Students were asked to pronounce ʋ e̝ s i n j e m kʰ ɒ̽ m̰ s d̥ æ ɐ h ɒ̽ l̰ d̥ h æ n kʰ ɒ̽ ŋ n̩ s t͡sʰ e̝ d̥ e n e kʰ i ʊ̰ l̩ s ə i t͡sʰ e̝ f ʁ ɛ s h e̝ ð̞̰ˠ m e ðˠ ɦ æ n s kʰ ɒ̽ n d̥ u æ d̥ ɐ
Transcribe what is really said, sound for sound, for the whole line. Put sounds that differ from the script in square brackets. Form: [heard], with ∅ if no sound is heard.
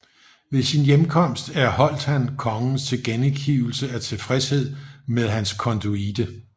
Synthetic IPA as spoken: ʋ e̝ s i n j e m kʰ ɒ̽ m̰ s d̥ æ ɐ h ɒ̽ l̰ d̥ h æ n kʰ ɒ̽ ŋ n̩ s t͡sʰ e̝ [ɡ̥] e n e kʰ i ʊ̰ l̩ s ə [æ] t͡sʰ e̝ f ʁ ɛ s h e̝ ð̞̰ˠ m e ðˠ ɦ æ n s kʰ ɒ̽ n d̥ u [i] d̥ [ə]